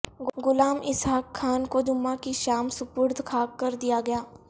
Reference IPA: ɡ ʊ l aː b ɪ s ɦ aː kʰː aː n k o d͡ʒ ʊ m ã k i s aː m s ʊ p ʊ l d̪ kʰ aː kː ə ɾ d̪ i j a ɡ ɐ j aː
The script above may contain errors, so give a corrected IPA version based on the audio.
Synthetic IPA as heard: ɡ ʊ l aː m ɪ s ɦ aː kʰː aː n k o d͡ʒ ʊ m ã k i ʃ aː m s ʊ p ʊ ɾ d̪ kʰ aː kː ə ɾ d̪ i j a ɡ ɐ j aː